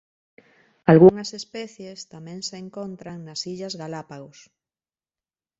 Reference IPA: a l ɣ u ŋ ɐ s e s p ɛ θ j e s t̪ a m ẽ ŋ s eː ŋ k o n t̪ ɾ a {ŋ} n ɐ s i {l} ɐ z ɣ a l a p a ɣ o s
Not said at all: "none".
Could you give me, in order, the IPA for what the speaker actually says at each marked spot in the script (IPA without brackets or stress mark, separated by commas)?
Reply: ŋ, ʎ